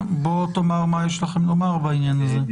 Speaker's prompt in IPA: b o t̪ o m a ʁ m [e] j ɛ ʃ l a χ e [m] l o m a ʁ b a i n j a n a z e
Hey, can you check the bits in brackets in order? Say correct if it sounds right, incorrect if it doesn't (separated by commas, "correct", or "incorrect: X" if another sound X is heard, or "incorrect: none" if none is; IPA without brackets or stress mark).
incorrect: a, correct